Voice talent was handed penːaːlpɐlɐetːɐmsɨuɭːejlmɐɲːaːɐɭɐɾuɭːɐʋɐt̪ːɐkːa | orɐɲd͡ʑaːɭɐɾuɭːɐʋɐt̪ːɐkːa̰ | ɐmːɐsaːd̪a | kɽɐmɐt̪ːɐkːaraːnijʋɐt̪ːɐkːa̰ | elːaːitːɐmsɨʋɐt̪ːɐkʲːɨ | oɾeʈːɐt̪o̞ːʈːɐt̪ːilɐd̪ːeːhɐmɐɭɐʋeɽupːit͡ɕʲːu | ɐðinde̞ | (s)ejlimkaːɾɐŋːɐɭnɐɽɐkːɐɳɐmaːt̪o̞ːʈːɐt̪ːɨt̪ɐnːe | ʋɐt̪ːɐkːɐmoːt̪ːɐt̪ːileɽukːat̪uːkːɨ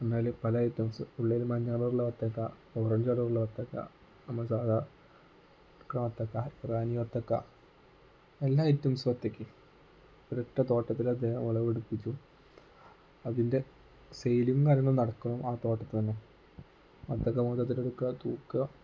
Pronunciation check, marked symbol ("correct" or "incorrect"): correct